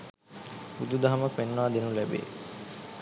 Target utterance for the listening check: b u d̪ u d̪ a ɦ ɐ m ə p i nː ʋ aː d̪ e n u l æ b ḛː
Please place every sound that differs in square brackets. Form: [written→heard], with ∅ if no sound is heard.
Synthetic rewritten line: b u d̪ u d̪ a ɦ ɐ m ə p [i→e] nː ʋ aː d̪ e n u l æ b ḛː

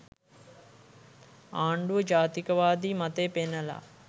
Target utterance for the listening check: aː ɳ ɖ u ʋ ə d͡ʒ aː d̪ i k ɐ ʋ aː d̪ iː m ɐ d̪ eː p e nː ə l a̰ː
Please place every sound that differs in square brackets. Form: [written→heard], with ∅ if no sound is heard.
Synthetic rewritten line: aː ɳ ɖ u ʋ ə d͡ʒ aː [d̪→t̪] i k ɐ ʋ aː d̪ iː m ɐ [d̪→t̪] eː p e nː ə l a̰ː

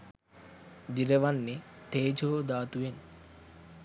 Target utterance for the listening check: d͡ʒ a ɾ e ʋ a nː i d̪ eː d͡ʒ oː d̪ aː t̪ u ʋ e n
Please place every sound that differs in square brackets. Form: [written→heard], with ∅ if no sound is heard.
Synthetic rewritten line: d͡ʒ [a→i] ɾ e ʋ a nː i [d̪→t̪] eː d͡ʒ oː d̪ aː t̪ u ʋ e n

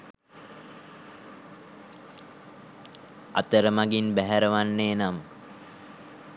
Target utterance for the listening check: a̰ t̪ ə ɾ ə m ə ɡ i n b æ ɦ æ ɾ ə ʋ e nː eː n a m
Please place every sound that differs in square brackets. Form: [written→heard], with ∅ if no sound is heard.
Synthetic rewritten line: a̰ t̪ ə ɾ ə m [ə→a] ɡ i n b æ ɦ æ ɾ ə ʋ [e→a] nː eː n a m

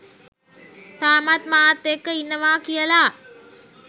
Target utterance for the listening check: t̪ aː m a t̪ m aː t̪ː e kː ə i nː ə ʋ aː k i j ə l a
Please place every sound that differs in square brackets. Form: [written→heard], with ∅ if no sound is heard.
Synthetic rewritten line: t̪ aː m a t̪ m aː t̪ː e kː ə i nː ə ʋ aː k i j ə l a

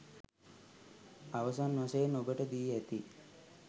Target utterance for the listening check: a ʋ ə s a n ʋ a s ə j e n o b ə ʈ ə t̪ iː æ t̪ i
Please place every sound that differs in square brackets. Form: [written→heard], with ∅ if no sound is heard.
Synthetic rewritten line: a ʋ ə s a n ʋ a s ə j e n o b ə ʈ ə [t̪→d̪] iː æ t̪ i

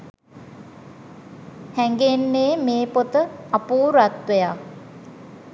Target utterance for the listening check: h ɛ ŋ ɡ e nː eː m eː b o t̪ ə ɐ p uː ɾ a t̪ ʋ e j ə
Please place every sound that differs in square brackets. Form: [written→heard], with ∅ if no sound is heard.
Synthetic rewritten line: h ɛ ŋ ɡ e nː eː m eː [b→p] o t̪ ə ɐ p uː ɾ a t̪ ʋ e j [ə→a]

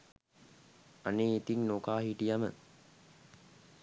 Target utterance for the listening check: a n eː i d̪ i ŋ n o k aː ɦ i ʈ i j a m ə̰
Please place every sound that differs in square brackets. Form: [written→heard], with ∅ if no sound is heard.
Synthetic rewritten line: a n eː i [d̪→t̪] i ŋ n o k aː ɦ i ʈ i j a m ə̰

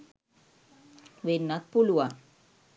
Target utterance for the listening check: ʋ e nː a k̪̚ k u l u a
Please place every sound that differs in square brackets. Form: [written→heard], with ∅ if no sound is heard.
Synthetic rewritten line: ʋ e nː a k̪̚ [k→p] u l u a

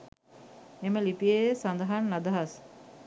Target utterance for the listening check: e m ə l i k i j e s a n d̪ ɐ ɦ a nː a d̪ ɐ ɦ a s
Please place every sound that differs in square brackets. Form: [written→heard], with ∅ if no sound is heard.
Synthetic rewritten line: e m ə l i [k→p] i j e s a n d̪ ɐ ɦ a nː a d̪ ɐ ɦ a s

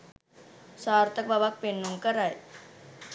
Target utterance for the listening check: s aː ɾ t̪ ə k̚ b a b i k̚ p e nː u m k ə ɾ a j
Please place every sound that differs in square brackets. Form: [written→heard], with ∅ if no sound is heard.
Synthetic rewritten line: s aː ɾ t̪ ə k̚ b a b [i→a] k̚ p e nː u [m→ŋ] k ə ɾ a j

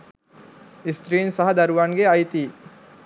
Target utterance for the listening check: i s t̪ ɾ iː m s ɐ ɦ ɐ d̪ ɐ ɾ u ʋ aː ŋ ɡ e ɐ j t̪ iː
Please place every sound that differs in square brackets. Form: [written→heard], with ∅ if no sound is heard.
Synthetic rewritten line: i s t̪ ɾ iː [m→n] s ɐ ɦ ɐ d̪ ɐ ɾ u ʋ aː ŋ ɡ e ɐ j t̪ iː

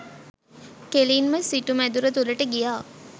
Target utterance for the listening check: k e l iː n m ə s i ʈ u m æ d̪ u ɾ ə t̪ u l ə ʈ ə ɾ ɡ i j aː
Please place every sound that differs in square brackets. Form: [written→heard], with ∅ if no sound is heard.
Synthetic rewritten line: k e l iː n m ə s i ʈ u m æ d̪ u ɾ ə t̪ u l ə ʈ ə [ɾ→∅] ɡ i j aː

